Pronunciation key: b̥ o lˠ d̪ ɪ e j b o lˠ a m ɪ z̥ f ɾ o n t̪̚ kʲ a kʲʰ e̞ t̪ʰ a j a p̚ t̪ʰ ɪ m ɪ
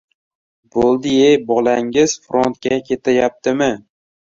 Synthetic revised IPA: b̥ o lˠ d̪ ɪ e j b ɒ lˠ a ŋ ɪ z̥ f ɾ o n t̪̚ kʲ a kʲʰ e̞ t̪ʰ a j a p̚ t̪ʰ ɪ m ɪ